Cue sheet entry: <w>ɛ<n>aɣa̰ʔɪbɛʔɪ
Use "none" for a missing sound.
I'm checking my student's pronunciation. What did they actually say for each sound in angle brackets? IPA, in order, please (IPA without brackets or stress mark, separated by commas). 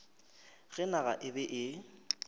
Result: ɣ, n